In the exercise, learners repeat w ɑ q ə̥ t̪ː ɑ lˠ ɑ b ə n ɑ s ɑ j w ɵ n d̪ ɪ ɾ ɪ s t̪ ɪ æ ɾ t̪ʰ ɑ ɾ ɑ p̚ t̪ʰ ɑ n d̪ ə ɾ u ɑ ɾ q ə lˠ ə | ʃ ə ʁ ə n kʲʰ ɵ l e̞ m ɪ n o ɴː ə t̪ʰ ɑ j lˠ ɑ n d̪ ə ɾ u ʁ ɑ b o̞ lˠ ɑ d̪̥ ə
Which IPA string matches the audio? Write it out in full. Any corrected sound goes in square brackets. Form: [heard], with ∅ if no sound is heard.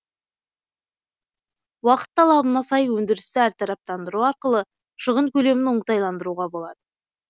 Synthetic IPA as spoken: w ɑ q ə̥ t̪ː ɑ lˠ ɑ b ə n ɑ s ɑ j w ɵ n d̪ ɪ ɾ ɪ s t̪ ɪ æ ɾ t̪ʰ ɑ ɾ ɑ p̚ [t̪] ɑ n d̪ ə ɾ u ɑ ɾ q ə lˠ ə | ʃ ə ʁ ə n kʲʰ ɵ l e̞ m ɪ n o [ɴ] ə [t̪] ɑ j lˠ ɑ n d̪ ə ɾ u ʁ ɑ b o̞ lˠ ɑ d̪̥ ə